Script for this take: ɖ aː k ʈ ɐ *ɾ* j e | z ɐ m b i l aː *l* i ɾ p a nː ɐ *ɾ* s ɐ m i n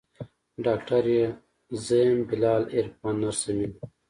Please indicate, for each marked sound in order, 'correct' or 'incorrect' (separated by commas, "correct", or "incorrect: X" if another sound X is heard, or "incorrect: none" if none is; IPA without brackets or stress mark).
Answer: correct, correct, correct